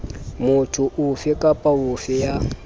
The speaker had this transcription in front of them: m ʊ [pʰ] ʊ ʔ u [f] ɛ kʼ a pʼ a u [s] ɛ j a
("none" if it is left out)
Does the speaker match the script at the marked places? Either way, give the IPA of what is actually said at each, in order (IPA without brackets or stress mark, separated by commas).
tʰ, f, f